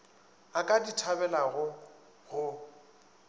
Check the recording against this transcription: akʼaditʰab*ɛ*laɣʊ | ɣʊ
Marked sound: correct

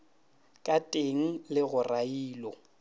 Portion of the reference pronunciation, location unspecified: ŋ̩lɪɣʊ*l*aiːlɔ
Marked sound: incorrect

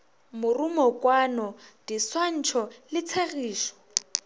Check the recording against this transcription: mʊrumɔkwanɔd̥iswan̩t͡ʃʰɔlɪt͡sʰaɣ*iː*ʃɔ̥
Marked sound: correct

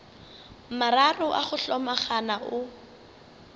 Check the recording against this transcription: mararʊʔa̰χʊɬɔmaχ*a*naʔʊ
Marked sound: correct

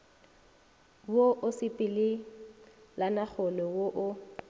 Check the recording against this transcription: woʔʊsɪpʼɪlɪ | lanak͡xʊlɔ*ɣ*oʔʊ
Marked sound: incorrect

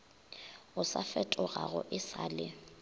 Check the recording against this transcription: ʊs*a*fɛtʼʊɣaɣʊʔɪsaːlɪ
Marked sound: correct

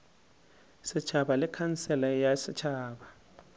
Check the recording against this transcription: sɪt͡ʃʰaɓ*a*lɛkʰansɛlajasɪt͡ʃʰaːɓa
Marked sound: correct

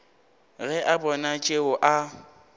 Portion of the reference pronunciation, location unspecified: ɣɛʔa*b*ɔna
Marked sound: correct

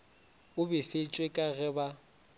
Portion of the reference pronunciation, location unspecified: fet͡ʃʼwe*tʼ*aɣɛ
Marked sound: incorrect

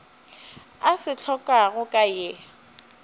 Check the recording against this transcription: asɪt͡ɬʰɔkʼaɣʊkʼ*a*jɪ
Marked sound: correct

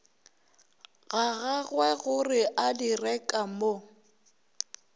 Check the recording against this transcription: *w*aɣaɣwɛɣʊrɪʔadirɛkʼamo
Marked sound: incorrect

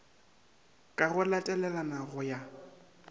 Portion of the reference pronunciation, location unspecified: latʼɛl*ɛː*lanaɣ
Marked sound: incorrect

